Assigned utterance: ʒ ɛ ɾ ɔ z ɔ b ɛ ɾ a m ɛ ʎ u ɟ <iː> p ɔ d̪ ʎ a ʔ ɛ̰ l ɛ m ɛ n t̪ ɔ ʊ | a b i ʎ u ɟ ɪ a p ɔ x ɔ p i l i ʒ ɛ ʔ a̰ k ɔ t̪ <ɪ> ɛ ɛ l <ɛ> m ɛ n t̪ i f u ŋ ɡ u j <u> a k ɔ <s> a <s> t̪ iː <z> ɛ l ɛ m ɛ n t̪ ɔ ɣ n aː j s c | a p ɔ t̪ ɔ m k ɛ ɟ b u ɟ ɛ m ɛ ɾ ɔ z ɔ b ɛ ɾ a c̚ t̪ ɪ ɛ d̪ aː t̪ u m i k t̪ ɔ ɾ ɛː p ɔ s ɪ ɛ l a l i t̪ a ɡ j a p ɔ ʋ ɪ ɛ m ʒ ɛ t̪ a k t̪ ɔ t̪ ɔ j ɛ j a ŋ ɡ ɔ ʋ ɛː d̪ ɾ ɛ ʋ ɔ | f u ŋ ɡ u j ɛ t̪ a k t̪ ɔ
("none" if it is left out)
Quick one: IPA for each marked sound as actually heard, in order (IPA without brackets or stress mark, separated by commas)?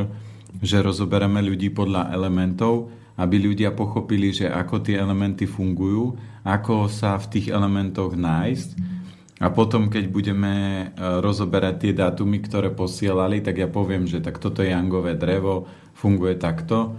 iː, ɪ, ɛ, uː, s, f, ɣ